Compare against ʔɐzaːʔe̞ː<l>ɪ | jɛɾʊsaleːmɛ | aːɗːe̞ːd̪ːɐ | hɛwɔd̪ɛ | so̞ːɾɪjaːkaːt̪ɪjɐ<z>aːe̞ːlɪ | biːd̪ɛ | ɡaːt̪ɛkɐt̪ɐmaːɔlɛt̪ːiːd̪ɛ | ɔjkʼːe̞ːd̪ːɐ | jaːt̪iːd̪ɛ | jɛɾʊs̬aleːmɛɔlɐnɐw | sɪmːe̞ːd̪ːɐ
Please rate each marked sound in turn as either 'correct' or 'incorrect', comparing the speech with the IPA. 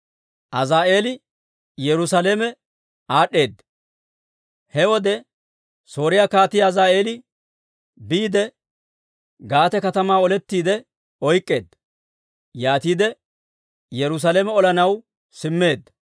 correct, correct

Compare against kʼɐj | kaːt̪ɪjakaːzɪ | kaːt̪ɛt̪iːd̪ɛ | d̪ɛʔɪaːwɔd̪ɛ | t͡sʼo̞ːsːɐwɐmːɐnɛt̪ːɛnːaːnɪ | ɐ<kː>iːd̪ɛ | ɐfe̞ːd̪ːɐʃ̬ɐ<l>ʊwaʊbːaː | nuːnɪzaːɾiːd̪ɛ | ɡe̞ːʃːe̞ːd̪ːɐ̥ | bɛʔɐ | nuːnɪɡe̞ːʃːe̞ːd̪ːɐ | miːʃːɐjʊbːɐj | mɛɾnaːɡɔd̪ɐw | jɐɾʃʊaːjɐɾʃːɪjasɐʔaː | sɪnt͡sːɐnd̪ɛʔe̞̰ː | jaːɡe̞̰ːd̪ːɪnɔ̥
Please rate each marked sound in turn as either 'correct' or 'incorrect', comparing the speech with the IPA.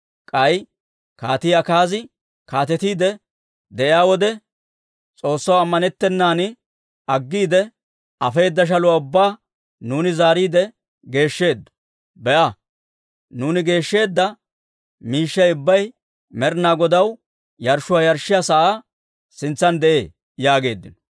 incorrect, correct

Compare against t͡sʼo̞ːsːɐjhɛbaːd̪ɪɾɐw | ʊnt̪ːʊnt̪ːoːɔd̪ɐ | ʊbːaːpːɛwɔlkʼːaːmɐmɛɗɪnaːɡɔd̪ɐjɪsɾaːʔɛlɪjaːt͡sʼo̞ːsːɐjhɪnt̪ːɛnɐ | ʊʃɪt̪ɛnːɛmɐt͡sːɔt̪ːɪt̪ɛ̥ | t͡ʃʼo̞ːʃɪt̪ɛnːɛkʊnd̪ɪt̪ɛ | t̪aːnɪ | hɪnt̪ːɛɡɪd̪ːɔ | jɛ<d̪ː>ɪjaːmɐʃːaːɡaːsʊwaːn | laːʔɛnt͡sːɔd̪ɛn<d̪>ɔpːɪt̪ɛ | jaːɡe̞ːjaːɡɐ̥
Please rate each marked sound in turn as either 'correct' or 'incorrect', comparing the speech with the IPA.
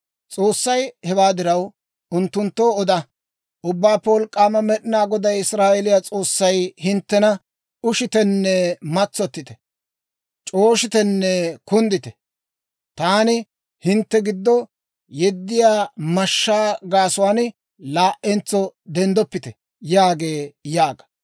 correct, correct

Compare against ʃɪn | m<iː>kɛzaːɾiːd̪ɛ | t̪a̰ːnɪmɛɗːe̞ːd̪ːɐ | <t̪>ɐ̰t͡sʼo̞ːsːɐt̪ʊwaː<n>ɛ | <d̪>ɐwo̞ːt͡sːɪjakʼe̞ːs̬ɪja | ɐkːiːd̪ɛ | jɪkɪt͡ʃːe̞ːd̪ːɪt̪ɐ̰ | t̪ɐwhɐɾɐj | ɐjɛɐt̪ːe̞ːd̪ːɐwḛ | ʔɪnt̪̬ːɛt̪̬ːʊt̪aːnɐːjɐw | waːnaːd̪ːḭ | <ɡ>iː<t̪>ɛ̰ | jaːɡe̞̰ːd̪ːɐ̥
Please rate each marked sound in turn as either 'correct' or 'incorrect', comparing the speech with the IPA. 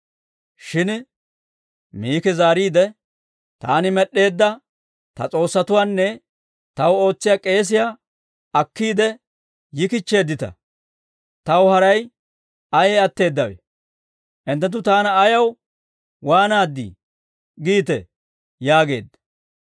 correct, correct, incorrect, incorrect, correct, correct

